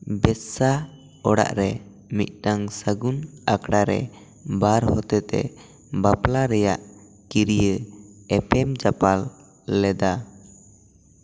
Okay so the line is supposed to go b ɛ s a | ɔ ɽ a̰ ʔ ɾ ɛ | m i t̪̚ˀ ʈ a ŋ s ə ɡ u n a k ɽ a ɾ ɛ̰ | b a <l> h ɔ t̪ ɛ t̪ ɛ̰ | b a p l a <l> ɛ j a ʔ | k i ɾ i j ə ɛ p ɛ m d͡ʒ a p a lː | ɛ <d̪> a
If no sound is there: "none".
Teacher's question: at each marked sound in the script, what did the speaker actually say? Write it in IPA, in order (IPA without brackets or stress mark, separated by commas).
ɾ, ɾ, d̪